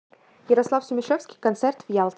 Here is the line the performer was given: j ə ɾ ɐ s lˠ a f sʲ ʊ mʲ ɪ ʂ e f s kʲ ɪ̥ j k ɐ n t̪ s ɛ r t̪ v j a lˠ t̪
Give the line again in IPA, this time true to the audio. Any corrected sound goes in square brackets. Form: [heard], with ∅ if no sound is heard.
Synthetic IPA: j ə ɾ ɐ s lˠ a f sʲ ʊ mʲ ɪ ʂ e f s kʲ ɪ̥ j k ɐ n t̪ s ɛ r t̪ v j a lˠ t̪